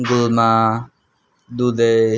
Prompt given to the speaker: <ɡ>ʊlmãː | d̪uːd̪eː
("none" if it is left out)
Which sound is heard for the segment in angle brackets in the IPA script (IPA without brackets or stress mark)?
ɡ